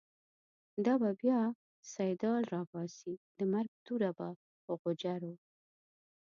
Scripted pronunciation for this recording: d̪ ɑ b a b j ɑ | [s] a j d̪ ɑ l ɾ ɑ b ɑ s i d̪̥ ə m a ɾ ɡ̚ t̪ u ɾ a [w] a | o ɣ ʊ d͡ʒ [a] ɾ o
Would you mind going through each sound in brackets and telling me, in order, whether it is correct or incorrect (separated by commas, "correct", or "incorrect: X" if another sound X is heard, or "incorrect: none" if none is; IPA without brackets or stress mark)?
correct, incorrect: b, correct